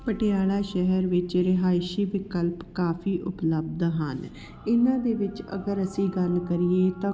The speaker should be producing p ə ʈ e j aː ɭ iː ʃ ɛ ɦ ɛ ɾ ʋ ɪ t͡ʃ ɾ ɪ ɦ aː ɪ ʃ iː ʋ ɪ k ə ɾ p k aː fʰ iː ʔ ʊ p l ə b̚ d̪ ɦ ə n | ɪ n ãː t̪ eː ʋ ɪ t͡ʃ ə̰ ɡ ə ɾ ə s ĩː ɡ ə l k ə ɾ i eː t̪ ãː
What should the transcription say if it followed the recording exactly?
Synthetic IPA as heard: p ə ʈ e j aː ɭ aː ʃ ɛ ɦ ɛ ɾ ʋ ɪ t͡ʃ ɾ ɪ ɦ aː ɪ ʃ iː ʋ ɪ k ə l p k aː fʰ iː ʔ ʊ p l ə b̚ d̪ ɦ ə n | ɪ n ãː d̪ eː ʋ ɪ t͡ʃ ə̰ ɡ ə ɾ ə s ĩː ɡ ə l k ə ɾ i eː t̪ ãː